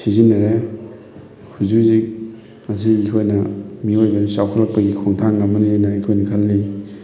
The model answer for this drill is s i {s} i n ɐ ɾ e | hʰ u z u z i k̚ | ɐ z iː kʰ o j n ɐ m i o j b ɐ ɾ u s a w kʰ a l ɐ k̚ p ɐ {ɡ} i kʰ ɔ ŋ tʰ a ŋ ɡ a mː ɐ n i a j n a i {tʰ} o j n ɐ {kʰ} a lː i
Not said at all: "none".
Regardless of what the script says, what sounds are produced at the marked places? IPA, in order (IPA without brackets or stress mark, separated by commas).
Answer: z, ɡ, kʰ, kʰ